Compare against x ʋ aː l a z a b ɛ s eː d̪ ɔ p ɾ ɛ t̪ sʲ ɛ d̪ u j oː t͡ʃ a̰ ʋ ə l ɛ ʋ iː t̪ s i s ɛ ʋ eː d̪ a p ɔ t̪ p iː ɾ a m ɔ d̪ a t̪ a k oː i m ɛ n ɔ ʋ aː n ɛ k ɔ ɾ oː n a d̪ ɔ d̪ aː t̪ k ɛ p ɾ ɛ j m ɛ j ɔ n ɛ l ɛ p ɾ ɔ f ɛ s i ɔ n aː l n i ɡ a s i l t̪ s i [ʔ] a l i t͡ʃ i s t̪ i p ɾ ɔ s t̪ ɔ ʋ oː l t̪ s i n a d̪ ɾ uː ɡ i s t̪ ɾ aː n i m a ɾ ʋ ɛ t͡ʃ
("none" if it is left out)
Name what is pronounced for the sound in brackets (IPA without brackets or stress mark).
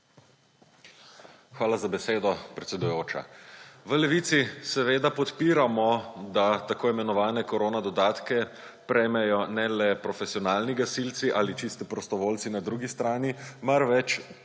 ʔ